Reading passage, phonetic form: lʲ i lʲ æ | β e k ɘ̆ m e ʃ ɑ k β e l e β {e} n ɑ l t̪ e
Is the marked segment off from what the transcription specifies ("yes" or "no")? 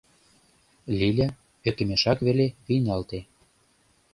yes